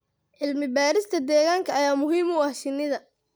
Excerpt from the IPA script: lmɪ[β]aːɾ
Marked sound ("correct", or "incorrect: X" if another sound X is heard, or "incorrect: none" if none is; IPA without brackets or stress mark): incorrect: b